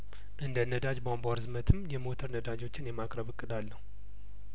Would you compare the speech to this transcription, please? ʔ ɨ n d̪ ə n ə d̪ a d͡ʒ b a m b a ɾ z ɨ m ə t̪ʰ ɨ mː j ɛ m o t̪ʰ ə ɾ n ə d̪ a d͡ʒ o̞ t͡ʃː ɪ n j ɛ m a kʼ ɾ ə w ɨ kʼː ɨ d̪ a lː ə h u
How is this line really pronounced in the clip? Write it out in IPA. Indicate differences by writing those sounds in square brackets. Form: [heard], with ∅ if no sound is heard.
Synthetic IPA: ʔ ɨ n d̪ ə n ə d̪ a d͡ʒ b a m b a ɾ z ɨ m ə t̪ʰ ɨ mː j ɛ m o t̪ʰ ə ɾ n ə d̪ a d͡ʒ o̞ t͡ʃː ɪ n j ɛ m a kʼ ɾ ə [β] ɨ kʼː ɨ d̪ a lː ə h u